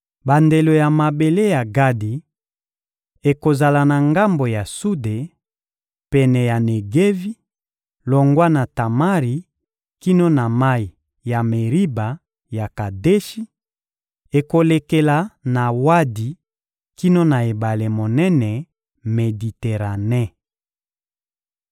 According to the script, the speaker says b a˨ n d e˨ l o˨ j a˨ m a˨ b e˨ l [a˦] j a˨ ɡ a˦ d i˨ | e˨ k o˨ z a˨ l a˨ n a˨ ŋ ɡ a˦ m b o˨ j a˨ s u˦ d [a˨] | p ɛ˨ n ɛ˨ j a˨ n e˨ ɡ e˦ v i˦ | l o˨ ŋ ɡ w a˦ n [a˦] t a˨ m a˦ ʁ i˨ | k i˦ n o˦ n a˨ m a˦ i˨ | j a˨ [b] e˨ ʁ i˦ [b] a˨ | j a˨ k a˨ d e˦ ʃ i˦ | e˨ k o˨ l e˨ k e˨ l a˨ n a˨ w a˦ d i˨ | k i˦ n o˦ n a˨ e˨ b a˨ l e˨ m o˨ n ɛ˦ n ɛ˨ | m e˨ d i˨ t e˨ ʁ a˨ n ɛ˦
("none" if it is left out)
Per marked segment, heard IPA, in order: e˦, e˨, a˨, m, b

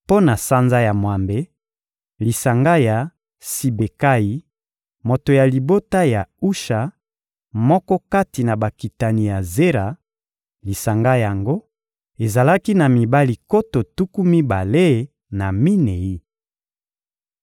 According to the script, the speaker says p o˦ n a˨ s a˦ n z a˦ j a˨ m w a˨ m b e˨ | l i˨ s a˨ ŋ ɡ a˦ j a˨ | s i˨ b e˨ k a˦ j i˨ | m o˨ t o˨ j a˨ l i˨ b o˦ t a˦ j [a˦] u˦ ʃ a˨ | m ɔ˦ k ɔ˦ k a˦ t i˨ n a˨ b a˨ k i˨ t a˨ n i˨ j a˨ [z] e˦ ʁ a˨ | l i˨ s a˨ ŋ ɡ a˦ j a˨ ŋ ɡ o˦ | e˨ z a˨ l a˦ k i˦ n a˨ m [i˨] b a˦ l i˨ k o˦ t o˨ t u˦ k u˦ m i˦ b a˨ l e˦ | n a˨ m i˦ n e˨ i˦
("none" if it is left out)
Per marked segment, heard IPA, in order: a˨, z, i˨

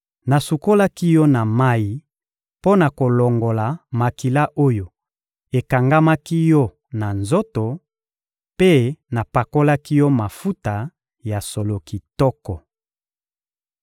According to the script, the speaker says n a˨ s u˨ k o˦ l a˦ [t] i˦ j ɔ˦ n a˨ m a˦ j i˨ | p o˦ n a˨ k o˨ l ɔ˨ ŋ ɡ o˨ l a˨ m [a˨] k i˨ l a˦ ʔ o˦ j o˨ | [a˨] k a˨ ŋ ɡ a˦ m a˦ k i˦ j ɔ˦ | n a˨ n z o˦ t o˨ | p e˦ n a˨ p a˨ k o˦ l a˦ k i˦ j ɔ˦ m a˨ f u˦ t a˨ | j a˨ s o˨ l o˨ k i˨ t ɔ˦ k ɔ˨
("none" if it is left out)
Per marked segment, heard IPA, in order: k, a˨, e˨

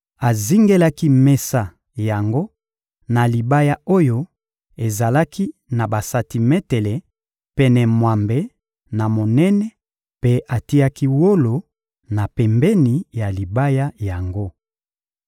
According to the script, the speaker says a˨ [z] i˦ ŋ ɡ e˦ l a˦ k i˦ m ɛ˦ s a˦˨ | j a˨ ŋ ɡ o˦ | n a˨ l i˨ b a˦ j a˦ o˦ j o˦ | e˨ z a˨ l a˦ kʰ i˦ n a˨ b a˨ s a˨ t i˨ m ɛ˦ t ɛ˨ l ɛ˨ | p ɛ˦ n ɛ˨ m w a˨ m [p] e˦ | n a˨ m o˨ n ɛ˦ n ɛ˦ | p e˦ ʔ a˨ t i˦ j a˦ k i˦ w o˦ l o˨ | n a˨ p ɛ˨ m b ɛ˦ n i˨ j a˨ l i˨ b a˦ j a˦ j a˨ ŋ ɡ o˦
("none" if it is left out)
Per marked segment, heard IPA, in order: z, b

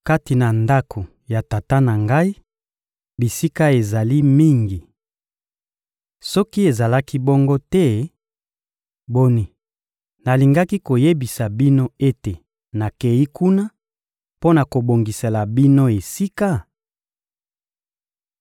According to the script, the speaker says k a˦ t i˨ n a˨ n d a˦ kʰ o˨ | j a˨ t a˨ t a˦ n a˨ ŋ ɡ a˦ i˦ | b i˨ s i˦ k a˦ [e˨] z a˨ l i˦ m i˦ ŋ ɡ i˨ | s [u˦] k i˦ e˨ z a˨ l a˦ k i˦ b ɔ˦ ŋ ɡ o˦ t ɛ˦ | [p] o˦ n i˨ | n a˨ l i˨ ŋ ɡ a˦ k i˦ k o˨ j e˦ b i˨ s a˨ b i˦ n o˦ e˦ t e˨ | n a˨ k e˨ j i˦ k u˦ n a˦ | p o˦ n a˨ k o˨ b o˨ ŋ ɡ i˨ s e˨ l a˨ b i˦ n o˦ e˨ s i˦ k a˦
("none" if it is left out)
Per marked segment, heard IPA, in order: e˨, ɔ˦, b

